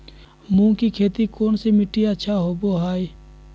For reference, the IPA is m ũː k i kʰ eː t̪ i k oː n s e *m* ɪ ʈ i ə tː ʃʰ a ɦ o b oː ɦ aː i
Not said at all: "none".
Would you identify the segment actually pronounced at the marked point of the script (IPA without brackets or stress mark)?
m